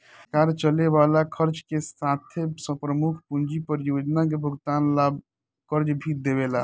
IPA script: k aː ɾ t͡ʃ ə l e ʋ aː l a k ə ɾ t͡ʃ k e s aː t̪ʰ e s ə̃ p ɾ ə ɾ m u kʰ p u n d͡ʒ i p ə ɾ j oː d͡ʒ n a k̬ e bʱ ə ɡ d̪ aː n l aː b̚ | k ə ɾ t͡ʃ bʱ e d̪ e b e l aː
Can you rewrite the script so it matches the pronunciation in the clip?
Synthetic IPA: k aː ɾ t͡ʃ ə l e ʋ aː l a kʰ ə ɾ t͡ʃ k e s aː t̪ʰ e s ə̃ p ɾ ə m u kʰ p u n d͡ʒ i p ə ɾ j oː d͡ʒ n a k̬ e bʱ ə ɡ t̪ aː n l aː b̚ | k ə ɾ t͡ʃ bʱ i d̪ e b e l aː

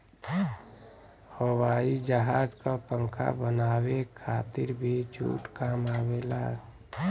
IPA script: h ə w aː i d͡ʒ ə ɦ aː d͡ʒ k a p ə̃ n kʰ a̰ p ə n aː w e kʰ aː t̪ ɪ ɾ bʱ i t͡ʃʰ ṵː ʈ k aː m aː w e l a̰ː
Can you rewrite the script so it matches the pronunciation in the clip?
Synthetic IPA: h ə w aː i d͡ʒ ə ɦ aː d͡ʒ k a p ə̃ ŋ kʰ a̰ b ə n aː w e kʰ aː t̪ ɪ ɾ bʱ i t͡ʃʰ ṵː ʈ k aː m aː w e l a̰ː

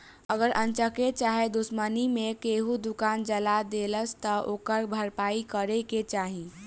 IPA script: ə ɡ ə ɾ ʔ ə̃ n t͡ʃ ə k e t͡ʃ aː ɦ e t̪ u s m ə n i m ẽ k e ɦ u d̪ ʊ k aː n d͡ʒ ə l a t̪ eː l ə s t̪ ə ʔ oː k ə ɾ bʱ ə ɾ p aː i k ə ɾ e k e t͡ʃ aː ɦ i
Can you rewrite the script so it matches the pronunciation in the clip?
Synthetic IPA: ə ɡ ə ɾ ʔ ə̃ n t͡ʃ ə k e t͡ʃ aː ɦ e d̪ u s m ə n i m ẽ k e ɦ u d̪ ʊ k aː n d͡ʒ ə l a d̪ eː l ə s t̪ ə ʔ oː k ə ɾ bʱ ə ɾ p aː i k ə ɾ e k e t͡ʃ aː ɦ i

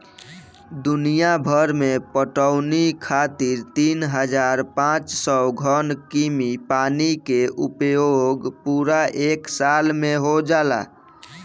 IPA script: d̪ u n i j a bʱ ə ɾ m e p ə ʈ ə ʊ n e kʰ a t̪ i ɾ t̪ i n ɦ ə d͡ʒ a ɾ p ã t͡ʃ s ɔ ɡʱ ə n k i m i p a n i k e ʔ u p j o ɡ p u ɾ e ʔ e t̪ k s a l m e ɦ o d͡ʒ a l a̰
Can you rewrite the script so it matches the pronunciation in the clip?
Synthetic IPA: d̪ u n i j a bʱ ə ɾ m e p ə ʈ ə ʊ n i kʰ a t̪ i ɾ t̪ i n ɦ ə d͡ʒ a ɾ p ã t͡ʃ s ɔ ɡʱ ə n k i m i p a n i k e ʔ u p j o ɡ p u ɾ a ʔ e k s a l m e ɦ o d͡ʒ a l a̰

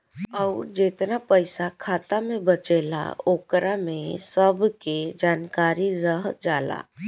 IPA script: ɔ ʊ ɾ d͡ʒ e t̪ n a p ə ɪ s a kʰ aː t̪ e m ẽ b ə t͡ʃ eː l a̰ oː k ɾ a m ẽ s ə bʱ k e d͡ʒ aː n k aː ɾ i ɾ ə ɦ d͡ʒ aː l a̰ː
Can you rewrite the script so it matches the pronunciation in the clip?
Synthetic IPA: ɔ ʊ ɾ d͡ʒ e t̪ n a p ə ɪ s a kʰ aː t̪ a m ẽ b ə t͡ʃ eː l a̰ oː k ɾ a m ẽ s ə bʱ k e d͡ʒ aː n k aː ɾ i ɾ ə ɦ d͡ʒ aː l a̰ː

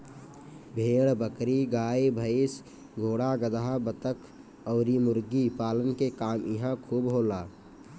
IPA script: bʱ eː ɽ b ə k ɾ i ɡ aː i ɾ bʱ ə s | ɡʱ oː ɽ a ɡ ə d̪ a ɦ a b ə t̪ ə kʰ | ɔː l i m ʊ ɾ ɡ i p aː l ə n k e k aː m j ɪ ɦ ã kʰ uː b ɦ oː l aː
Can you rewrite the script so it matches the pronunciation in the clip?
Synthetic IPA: bʱ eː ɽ b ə k ɾ i ɡ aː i bʱ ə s | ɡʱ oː ɽ a ɡ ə d̪ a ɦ a b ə t̪ ə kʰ | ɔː ɾ i m ʊ ɾ ɡ i p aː l ə n k e k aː m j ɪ ɦ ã kʰ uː b ɦ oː l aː

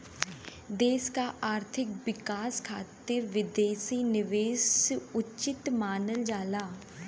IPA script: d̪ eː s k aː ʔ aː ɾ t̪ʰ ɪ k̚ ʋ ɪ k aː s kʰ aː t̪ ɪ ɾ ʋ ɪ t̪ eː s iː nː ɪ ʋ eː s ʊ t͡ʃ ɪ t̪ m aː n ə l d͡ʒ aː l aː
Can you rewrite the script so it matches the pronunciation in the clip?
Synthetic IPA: d̪ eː s k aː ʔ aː ɾ t̪ʰ ɪ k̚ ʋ ɪ k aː s kʰ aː t̪ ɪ ɾ ʋ ɪ d̪ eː s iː n ɪ ʋ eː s ʊ t͡ʃ ɪ t̪ m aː n ə l d͡ʒ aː l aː

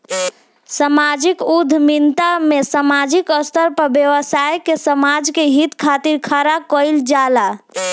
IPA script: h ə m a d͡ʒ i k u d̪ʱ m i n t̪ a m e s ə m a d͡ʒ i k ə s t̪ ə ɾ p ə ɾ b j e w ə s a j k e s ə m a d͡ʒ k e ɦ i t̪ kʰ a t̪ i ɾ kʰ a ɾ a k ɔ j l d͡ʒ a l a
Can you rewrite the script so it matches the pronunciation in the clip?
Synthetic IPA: s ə m a d͡ʒ i k u d̪ʱ m i n t̪ a m e s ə m a d͡ʒ i k ə s t̪ ə ɾ p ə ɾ b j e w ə s a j k e s ə m a d͡ʒ k e ɦ i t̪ kʰ a t̪ i ɾ kʰ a ɾ a k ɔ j l d͡ʒ a l a

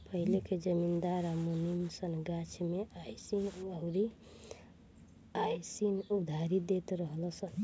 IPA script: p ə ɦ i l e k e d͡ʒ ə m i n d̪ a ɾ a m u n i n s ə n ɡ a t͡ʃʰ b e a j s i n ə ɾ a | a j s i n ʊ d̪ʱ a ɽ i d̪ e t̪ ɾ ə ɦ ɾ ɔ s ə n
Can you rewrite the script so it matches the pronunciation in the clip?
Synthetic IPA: p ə ɦ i l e k e d͡ʒ ə m i n d̪ a ɾ a m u n i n s ə n ɡ a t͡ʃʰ m e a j s i n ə ɾ i | a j s i n u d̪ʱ a ɾ i d̪ e t̪ ɾ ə ɦ l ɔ s ə n

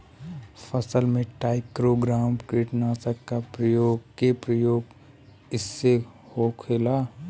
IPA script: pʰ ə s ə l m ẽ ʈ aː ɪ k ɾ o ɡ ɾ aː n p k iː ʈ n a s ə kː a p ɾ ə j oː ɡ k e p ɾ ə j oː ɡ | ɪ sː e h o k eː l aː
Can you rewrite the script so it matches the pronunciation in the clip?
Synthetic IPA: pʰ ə s ə l m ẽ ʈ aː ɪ k ɾ o ɡ ɾ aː m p k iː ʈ n a s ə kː a p ɾ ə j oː ɡ k e p ɾ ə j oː ɡ | ɪ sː e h o kʰ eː l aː

